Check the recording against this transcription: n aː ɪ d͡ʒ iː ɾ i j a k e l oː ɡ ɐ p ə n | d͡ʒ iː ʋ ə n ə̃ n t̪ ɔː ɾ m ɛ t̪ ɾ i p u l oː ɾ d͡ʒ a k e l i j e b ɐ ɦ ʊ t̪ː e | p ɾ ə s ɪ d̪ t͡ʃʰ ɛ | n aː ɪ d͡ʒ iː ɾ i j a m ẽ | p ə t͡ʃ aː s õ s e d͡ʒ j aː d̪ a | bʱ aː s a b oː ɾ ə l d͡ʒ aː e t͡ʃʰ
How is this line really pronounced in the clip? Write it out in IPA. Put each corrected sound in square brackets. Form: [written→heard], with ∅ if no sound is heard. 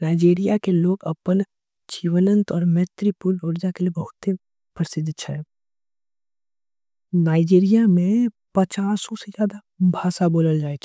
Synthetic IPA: n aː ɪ d͡ʒ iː ɾ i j a k e l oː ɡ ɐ p ə n | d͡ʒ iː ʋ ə n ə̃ n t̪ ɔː ɾ m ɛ t̪ ɾ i p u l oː ɾ d͡ʒ a k e l i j e b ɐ ɦ ʊ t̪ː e | p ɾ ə s ɪ d̪ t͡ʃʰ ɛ | n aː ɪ d͡ʒ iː ɾ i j a m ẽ | p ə t͡ʃ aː s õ s e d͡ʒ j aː d̪ a | bʱ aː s a b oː [ɾ→l] ə l d͡ʒ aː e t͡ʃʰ